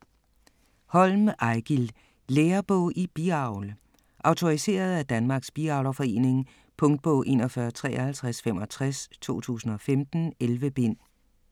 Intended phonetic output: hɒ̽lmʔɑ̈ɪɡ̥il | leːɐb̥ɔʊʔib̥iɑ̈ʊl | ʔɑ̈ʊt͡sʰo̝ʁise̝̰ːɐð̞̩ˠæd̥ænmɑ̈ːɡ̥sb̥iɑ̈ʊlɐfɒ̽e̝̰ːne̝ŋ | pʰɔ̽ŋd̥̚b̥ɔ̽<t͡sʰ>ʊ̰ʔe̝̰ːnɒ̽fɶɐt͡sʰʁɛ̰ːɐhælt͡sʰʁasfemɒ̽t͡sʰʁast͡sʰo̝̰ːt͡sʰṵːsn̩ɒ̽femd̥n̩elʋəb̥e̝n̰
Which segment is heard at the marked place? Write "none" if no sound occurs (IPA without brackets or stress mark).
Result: none